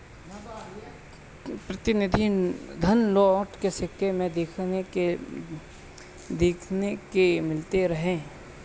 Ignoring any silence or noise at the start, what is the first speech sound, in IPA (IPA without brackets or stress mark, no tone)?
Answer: p